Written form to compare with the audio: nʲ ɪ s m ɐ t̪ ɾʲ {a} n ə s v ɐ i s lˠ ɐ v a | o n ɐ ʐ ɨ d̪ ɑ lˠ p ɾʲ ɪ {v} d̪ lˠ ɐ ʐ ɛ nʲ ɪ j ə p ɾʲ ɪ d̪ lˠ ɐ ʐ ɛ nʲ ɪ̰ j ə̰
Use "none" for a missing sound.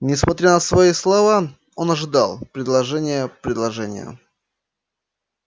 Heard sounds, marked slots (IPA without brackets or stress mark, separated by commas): a, none